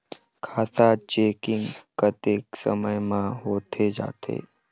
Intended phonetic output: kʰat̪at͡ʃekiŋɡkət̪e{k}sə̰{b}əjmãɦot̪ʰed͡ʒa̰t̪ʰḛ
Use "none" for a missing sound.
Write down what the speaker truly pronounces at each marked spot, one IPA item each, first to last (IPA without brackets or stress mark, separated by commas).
k, m